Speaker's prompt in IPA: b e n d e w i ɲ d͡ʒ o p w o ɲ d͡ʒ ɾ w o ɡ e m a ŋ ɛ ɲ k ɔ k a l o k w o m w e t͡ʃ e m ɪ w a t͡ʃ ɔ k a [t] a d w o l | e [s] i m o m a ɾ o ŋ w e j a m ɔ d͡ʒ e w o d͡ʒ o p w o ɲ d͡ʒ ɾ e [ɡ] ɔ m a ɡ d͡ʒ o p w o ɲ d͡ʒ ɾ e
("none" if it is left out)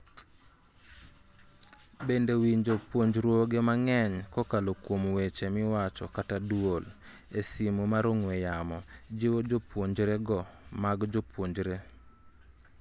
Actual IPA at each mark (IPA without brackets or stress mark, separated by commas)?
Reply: t, s, ɡ